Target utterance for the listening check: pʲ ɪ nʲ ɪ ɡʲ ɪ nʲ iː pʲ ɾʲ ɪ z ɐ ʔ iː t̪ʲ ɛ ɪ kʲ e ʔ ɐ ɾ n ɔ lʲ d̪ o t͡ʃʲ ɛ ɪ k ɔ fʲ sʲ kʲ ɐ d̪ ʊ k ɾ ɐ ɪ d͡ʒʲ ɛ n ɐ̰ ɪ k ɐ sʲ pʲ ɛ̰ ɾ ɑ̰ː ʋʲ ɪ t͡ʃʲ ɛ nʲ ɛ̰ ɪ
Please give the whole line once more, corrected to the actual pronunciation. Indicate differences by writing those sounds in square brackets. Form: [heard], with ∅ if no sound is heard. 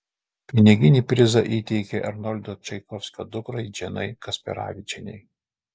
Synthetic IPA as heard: pʲ ɪ nʲ ɪ ɡʲ ɪ nʲ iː pʲ ɾʲ ɪ z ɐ ʔ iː t̪ʲ ɛ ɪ kʲ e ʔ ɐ ɾ n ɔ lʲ d̪ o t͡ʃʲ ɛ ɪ k ɔ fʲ sʲ kʲ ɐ d̪ ʊ k ɾ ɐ ɪ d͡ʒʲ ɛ n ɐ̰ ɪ k ɐ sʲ pʲ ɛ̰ ɾ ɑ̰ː ʋʲ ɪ t͡ʃʲ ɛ nʲ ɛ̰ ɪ